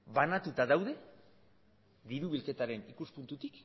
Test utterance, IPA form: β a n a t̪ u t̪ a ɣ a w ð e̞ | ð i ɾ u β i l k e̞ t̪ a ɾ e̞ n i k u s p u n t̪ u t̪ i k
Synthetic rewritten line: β a n a t̪ u t̪ a ð a w ð e̞ | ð i ɾ u β i l k e̞ t̪ a ɾ e̞ n i k u s p u n t̪ u t̪ i k